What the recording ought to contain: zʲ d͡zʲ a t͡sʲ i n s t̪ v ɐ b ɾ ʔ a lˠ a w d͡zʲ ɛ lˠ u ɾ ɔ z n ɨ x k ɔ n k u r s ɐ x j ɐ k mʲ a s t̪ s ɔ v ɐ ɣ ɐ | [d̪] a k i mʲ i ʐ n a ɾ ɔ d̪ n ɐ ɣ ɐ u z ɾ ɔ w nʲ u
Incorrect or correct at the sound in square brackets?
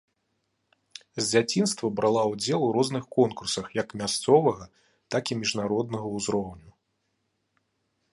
incorrect: t̪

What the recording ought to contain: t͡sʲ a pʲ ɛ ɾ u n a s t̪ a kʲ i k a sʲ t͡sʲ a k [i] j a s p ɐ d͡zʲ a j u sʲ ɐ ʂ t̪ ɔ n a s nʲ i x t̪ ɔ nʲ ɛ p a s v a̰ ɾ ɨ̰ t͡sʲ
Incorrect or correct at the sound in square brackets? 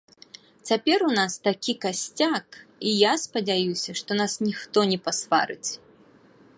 correct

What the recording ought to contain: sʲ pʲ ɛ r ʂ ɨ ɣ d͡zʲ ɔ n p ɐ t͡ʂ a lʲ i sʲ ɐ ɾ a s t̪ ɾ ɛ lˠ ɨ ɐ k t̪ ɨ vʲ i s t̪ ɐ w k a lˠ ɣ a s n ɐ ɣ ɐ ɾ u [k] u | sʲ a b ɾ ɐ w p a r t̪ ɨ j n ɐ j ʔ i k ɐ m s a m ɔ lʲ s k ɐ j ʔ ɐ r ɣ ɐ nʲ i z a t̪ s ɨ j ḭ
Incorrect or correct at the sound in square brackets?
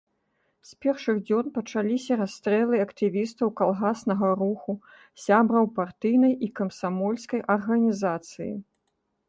incorrect: x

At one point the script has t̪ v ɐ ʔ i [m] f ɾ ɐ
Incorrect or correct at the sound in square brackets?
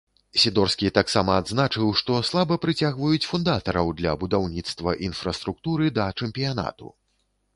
incorrect: n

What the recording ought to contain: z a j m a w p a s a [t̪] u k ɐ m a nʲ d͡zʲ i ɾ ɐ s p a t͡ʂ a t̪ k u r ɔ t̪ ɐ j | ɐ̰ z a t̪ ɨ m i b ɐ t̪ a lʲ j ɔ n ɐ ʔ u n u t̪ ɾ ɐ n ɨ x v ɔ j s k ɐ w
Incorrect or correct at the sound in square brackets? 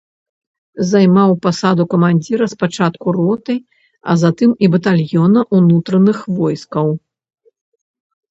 incorrect: d̪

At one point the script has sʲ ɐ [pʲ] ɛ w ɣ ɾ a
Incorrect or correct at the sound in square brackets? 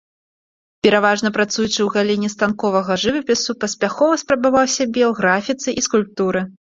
incorrect: bʲ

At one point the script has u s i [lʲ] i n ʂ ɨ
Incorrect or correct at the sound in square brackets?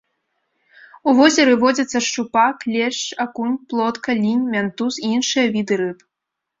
incorrect: none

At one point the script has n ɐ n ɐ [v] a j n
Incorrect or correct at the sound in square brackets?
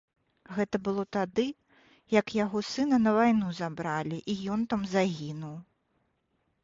correct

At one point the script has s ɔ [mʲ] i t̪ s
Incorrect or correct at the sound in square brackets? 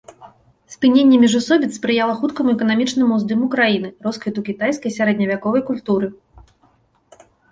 incorrect: bʲ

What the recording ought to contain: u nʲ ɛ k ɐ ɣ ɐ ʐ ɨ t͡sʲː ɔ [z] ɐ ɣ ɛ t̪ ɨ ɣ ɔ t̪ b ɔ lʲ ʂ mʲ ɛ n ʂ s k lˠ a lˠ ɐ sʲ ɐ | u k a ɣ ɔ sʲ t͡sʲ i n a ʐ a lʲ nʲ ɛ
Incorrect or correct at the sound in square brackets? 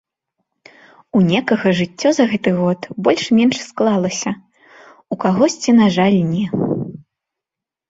correct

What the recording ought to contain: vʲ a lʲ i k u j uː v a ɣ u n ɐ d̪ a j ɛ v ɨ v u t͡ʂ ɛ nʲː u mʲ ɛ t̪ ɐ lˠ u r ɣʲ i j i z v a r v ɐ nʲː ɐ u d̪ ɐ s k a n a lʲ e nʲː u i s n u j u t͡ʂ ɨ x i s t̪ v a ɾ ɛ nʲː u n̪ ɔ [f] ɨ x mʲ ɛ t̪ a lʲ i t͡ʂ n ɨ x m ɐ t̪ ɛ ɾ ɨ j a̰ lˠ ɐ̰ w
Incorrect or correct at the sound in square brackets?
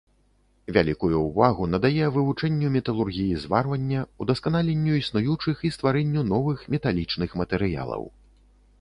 incorrect: v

